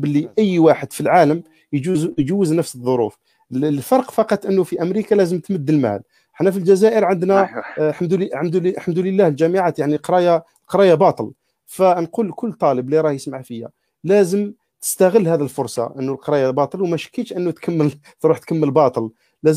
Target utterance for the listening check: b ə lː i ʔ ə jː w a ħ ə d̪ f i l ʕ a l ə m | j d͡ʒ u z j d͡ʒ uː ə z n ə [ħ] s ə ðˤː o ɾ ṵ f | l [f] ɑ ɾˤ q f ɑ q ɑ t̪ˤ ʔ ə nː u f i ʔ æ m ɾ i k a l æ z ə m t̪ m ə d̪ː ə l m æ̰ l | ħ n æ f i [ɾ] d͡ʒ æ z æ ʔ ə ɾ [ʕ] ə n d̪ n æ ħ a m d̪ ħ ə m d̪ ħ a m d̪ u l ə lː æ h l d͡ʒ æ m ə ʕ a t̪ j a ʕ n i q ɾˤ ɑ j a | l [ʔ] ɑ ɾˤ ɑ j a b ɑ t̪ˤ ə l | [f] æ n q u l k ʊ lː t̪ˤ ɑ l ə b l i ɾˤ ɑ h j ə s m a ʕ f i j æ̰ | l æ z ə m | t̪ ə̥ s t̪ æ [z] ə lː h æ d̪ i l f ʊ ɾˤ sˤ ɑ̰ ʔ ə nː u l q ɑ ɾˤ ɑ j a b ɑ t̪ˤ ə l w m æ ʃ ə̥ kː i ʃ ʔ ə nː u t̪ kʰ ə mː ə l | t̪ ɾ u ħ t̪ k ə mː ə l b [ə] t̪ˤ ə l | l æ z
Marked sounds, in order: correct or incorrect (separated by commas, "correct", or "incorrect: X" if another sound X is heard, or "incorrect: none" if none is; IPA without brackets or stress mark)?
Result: incorrect: f, correct, incorrect: l, correct, incorrect: q, correct, incorrect: ɣ, incorrect: ɑ